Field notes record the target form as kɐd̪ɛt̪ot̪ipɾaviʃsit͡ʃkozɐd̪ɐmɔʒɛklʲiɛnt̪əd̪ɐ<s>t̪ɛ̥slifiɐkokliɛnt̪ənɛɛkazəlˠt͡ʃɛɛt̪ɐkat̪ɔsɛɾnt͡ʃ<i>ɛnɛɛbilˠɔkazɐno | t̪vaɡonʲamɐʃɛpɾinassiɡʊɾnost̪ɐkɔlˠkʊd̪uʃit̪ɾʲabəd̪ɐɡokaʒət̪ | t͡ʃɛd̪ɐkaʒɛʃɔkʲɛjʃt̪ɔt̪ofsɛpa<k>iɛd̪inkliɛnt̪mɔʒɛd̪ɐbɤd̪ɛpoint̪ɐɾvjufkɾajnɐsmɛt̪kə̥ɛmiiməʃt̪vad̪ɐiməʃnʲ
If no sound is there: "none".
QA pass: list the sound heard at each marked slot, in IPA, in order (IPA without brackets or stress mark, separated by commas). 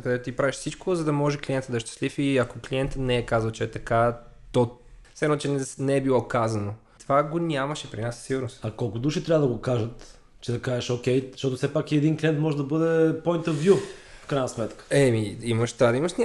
ʃ, ɛ, k